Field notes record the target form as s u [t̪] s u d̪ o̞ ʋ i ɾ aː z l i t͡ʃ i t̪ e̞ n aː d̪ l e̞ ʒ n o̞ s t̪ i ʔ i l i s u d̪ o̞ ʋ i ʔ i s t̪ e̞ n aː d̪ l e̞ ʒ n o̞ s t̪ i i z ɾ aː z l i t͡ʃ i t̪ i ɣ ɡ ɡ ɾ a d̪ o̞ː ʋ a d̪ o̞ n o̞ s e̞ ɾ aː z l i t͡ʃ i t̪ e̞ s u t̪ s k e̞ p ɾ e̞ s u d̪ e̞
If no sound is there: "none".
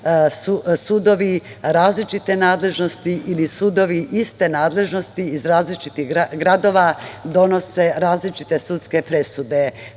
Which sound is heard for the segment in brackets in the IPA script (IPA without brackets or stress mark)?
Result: none